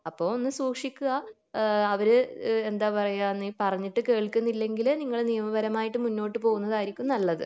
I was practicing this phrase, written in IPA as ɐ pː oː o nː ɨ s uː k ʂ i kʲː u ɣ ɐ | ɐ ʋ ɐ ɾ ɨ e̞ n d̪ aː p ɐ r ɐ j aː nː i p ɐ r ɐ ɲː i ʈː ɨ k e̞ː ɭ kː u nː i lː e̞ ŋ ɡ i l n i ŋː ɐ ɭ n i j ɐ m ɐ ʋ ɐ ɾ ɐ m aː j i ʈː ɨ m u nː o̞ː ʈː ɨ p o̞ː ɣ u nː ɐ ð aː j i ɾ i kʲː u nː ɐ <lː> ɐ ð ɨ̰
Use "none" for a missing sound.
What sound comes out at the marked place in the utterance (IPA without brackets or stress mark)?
lː